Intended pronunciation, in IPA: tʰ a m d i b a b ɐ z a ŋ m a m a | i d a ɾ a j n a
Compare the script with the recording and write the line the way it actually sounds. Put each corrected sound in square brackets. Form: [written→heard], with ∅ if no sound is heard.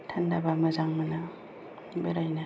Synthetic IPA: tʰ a [m→n] d [i→a] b a [b→m] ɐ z a ŋ m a [m→n] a | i [d→b] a ɾ a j n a